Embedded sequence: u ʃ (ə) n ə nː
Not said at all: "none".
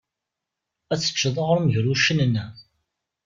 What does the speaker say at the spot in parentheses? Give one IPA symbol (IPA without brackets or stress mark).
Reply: ə